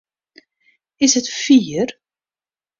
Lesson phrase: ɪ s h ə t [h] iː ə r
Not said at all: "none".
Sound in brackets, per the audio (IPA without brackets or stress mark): f